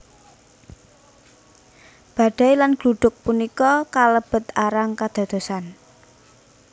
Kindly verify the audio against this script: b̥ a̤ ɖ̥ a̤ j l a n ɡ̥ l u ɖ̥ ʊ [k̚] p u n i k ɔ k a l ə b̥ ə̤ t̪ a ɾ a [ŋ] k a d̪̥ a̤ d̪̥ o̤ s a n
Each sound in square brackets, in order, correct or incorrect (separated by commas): correct, correct